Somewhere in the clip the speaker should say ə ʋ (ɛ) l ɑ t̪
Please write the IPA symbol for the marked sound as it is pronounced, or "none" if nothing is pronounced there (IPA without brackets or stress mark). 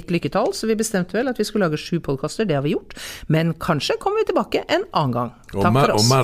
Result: ɛ